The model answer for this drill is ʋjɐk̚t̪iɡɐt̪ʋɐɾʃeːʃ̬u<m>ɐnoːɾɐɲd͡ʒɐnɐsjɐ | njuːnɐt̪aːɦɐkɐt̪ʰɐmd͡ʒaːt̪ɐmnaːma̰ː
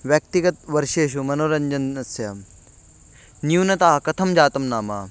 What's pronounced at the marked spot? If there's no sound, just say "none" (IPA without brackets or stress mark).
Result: m